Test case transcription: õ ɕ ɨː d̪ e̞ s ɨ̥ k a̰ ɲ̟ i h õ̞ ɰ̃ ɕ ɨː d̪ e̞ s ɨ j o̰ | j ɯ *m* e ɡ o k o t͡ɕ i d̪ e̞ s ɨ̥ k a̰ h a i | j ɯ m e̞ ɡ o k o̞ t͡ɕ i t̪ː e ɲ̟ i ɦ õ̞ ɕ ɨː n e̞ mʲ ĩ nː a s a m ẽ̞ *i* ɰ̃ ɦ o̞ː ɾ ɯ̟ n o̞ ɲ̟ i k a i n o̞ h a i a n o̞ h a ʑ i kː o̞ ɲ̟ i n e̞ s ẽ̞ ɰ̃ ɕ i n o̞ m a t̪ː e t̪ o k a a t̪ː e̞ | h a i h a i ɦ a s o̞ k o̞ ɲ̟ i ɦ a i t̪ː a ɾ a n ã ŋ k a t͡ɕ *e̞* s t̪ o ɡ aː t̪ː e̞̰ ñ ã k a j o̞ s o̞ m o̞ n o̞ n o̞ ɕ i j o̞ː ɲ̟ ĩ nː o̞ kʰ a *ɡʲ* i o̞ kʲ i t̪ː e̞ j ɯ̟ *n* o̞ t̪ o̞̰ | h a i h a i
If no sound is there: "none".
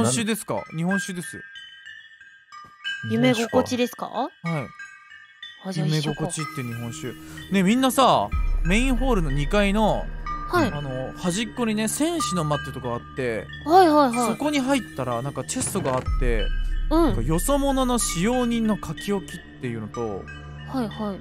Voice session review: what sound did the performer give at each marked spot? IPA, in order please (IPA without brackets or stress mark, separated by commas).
m, ĩ, e̞, kʲ, n